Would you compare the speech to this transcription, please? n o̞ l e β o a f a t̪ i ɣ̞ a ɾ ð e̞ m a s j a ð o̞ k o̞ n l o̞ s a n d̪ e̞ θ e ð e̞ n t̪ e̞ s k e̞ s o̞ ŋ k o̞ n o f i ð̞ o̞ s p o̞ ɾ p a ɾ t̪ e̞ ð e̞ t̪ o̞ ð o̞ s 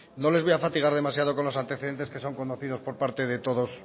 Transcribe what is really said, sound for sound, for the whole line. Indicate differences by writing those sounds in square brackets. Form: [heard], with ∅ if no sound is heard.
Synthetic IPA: n o̞ l e β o a f a t̪ i ɣ̞ a ɾ ð e̞ m a s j a ð o̞ k o̞ n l o̞ s a n [t̪] e̞ θ e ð e̞ n t̪ e̞ s k e̞ s o̞ ŋ k o̞ n o [θ] i ð̞ o̞ s p o̞ ɾ p a ɾ t̪ e̞ ð e̞ t̪ o̞ ð o̞ s